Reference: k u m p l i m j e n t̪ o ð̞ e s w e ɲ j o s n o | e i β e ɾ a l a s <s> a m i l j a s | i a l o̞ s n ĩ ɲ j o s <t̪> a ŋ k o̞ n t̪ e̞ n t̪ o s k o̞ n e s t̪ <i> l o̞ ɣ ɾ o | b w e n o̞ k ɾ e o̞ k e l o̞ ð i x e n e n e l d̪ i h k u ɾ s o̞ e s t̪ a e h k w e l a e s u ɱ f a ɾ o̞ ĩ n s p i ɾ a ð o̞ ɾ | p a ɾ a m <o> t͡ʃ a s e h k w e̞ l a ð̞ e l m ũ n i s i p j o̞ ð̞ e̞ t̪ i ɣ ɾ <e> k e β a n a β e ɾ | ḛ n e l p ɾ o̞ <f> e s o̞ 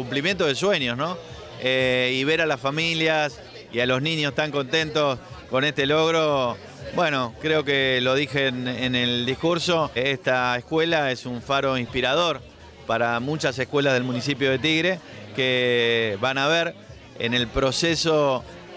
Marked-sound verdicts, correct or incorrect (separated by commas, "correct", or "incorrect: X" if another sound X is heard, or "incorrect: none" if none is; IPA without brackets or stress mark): incorrect: f, correct, incorrect: e, incorrect: u, correct, incorrect: s